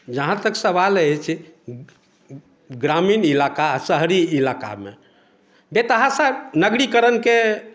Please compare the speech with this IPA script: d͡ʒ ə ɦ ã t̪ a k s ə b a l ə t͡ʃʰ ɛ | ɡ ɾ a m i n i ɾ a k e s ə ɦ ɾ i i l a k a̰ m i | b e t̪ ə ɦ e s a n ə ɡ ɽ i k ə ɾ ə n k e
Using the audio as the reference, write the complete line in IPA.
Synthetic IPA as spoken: d͡ʒ ə ɦ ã t̪ ə k s ə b a l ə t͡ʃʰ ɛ | ɡ ɾ a m i n i l a k a s ə ɦ ɾ i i l a k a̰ m e | b e t̪ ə ɦ a s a n ə ɡ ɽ i k ə ɾ ə n k e